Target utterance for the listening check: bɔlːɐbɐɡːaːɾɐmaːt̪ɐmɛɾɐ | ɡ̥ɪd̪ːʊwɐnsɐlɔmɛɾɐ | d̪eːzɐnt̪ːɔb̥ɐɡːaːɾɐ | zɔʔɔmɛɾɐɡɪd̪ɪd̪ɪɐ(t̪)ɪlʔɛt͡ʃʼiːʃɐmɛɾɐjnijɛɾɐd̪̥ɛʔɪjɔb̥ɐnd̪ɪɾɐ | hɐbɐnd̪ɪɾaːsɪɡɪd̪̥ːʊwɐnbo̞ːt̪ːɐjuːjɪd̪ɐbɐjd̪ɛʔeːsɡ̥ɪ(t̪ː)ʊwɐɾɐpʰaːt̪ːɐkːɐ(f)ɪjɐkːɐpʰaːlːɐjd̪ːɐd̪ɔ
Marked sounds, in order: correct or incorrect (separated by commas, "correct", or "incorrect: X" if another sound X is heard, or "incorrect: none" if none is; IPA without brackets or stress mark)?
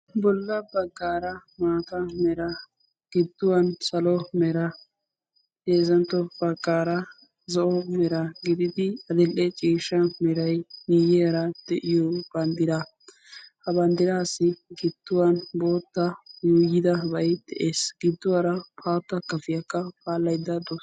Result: incorrect: d̪, incorrect: d̪ː, correct